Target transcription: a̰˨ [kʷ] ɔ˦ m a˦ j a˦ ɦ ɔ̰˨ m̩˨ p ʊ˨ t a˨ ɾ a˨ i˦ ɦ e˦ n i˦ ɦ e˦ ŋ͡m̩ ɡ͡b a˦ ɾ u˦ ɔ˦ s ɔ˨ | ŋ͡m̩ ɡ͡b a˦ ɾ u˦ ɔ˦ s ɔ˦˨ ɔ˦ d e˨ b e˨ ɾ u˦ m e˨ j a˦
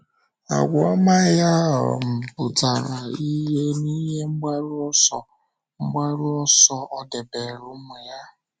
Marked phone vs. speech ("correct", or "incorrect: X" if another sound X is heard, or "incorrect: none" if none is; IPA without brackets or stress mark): incorrect: ɡʷ